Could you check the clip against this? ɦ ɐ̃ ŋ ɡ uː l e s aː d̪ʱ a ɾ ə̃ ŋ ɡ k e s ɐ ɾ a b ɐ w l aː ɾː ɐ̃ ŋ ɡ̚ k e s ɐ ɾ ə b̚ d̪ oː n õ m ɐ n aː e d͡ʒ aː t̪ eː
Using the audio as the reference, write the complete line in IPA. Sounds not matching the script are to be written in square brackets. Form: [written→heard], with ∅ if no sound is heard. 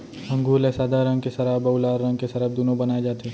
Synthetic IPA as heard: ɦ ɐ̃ ŋ ɡ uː l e s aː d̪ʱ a ɾ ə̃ ŋ ɡ k e s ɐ ɾ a b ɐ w l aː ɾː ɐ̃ ŋ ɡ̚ k e s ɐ ɾ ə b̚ d̪ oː n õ [m→b] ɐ n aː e d͡ʒ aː t̪ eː